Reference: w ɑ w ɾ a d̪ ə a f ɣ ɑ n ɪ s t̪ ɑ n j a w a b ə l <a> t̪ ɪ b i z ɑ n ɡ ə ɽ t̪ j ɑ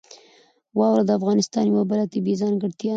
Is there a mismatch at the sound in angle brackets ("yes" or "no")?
no